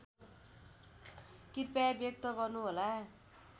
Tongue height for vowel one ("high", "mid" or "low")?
high